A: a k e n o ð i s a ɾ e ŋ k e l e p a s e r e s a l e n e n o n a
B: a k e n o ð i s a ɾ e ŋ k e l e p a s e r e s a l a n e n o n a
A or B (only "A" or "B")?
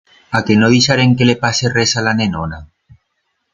B